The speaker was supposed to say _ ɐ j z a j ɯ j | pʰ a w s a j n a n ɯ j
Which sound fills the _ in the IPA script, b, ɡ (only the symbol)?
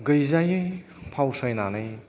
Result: ɡ